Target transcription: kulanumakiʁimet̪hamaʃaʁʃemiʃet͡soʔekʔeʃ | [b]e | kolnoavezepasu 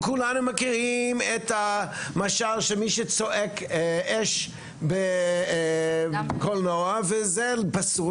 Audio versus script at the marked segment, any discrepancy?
no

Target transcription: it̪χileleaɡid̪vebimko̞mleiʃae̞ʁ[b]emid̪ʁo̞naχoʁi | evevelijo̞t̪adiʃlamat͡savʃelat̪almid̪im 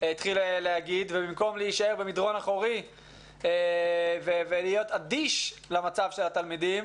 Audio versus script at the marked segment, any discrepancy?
no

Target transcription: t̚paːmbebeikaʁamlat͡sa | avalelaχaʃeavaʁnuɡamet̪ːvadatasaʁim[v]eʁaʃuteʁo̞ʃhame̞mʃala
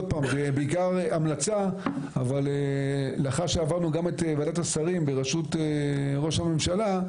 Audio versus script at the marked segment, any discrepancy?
yes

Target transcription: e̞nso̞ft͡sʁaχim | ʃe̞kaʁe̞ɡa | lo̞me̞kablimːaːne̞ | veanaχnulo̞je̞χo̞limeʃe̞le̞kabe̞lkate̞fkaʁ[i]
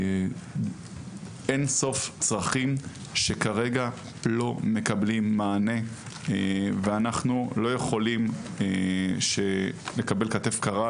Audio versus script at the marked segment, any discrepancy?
yes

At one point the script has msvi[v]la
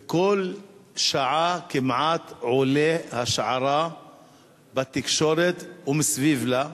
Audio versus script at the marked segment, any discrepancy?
no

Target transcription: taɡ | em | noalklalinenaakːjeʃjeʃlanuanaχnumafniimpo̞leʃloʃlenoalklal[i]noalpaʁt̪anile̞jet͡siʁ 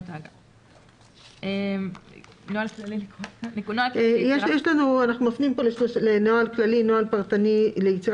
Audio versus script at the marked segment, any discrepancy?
no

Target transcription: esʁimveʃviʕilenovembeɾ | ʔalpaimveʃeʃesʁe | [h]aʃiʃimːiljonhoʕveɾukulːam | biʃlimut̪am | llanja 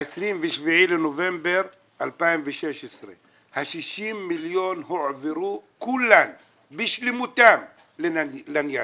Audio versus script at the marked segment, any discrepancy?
no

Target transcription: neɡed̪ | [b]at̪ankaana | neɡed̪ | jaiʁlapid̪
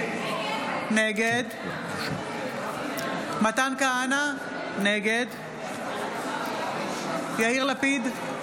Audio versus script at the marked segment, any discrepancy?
yes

